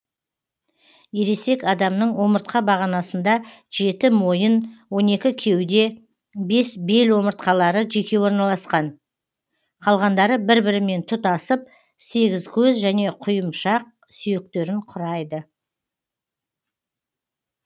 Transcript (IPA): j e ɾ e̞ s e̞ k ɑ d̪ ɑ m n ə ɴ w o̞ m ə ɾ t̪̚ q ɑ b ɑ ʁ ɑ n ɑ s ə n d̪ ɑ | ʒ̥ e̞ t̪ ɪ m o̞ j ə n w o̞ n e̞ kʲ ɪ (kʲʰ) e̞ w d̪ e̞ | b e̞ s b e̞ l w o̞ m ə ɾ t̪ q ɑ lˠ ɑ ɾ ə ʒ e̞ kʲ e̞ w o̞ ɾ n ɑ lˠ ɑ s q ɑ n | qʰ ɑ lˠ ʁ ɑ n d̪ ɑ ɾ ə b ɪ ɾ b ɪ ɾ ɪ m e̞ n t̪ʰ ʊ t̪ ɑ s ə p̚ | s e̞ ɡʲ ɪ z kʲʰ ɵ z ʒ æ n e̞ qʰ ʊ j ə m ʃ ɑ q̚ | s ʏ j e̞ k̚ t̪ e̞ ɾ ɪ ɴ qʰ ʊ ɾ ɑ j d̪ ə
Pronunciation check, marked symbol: correct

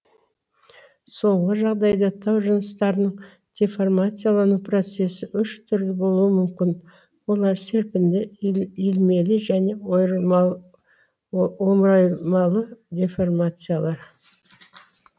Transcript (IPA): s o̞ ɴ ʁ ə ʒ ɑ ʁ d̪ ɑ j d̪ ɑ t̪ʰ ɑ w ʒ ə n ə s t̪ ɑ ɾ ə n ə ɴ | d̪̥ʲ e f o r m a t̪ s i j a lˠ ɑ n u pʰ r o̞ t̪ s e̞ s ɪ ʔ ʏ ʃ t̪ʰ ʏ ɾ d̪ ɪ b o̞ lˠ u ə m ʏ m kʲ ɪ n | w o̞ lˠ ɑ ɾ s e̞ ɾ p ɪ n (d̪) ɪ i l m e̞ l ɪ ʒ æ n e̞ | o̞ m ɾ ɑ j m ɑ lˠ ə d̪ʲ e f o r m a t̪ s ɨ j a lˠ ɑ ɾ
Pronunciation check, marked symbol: correct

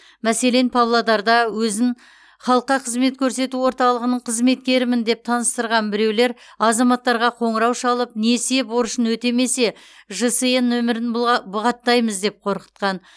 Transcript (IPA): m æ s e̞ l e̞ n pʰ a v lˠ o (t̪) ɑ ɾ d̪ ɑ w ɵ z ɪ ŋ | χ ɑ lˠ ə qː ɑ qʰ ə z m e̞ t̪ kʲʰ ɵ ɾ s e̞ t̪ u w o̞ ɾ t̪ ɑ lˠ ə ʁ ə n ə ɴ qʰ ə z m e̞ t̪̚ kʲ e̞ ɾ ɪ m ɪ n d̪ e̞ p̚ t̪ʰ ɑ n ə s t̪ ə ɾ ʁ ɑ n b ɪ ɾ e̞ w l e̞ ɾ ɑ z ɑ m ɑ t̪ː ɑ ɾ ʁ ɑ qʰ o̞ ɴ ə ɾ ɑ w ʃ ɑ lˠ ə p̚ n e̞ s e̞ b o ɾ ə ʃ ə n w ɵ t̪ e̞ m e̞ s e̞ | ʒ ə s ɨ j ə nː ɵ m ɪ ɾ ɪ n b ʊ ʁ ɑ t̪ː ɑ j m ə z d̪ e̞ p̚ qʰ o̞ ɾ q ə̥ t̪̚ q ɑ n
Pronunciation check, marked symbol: incorrect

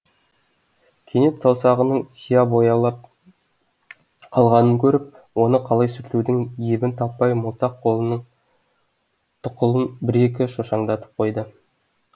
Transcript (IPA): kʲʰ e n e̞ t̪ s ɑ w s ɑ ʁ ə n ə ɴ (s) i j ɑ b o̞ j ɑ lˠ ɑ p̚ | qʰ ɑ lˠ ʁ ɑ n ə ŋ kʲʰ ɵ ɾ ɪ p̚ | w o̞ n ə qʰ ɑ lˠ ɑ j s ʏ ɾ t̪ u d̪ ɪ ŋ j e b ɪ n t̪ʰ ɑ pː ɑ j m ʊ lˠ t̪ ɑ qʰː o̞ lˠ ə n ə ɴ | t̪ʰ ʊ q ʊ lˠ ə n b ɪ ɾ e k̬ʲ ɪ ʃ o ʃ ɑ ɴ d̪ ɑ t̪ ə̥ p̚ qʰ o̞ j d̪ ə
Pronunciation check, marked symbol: correct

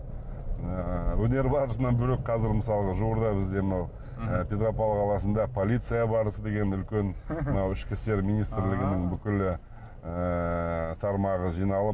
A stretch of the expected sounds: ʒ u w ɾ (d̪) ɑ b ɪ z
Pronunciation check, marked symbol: correct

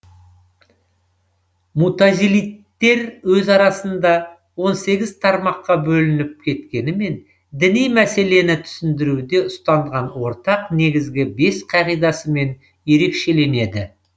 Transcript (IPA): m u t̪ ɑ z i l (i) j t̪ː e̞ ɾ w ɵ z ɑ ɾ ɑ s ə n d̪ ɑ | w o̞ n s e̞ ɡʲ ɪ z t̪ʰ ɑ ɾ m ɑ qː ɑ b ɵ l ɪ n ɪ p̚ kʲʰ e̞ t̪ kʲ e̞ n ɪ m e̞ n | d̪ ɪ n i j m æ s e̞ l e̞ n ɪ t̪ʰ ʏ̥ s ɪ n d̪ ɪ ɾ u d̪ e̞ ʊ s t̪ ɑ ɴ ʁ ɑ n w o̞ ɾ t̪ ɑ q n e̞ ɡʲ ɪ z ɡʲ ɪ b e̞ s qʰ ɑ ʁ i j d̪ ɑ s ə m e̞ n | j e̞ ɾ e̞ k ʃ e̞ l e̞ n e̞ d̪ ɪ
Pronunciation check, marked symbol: correct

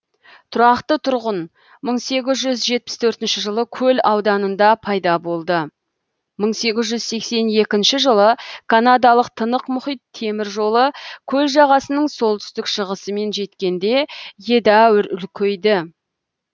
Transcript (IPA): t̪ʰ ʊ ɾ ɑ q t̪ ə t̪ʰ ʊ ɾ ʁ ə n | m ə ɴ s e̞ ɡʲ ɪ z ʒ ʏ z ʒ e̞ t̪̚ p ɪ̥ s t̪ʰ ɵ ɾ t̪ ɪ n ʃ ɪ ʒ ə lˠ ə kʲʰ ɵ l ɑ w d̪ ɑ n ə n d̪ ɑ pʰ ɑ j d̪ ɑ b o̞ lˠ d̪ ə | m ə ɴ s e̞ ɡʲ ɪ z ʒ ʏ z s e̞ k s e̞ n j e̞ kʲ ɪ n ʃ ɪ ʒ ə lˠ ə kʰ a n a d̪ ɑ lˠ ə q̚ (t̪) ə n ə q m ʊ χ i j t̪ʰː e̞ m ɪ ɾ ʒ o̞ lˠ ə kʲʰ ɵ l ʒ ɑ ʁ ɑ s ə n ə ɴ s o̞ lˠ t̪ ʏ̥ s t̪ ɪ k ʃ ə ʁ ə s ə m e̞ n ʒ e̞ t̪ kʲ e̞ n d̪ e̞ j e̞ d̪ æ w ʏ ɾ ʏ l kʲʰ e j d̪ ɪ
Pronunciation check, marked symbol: incorrect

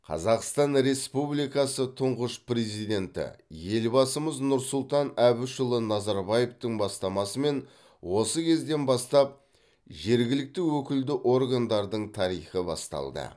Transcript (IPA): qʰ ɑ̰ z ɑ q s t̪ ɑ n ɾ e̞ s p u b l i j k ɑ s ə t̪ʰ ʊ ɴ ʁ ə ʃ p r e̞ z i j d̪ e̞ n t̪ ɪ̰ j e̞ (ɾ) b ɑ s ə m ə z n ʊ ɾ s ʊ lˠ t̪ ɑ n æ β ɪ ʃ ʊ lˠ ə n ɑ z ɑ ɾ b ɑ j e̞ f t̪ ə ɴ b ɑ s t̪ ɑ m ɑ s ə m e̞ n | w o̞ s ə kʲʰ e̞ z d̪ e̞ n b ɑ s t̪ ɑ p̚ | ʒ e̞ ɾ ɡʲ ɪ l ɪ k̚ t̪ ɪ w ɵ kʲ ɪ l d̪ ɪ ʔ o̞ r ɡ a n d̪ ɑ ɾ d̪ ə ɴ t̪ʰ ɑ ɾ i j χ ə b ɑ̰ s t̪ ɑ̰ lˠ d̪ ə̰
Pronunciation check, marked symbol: incorrect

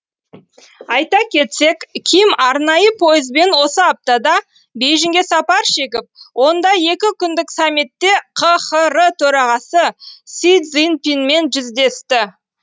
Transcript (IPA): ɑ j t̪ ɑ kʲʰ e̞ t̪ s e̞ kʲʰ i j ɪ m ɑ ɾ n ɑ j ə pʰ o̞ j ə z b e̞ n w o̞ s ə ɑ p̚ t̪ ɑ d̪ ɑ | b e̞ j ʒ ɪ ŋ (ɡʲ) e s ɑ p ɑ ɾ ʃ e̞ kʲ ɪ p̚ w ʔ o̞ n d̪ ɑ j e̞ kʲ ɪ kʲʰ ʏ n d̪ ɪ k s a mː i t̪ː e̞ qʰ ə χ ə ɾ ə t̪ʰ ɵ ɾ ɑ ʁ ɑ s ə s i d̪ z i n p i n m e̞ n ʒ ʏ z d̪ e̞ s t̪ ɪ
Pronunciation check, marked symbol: correct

